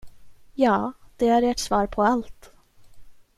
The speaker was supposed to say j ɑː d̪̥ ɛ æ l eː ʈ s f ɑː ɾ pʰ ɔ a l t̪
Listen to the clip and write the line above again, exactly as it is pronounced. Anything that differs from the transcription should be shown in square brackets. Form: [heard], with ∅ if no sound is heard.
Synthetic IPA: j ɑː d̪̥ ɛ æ [ɾ] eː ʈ s [v] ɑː ɾ pʰ ɔ a l t̪